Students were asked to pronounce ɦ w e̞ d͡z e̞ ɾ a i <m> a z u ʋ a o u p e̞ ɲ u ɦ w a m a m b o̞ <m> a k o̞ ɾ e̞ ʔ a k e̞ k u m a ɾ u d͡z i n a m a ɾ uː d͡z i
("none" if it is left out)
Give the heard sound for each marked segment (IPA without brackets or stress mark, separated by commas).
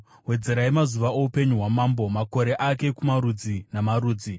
m, m